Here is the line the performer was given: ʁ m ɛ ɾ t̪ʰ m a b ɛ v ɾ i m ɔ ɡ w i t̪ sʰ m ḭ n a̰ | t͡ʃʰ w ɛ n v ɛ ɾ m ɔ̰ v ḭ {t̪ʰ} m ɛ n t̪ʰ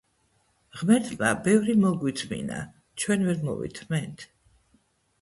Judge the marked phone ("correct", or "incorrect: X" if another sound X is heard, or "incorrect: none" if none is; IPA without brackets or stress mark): correct